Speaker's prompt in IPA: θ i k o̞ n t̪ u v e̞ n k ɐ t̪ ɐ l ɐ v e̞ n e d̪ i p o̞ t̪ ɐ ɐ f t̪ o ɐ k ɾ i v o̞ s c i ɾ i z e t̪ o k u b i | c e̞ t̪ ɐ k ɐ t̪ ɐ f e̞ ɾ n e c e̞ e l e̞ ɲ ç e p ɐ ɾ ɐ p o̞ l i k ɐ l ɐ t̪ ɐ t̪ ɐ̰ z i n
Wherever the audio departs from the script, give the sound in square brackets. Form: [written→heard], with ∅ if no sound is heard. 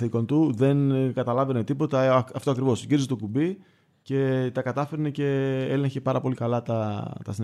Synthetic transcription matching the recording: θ i k o̞ n t̪ u [v→ð] e̞ n k ɐ t̪ ɐ l ɐ v e̞ n e [d̪→t̪] i p o̞ t̪ ɐ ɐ f t̪ o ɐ k ɾ i v o̞ s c i ɾ i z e t̪ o k u b i | c e̞ t̪ ɐ k ɐ t̪ ɐ f e̞ ɾ n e c e̞ e l e̞ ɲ ç e p ɐ ɾ ɐ p o̞ l i k ɐ l ɐ t̪ ɐ t̪ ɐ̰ [z→s] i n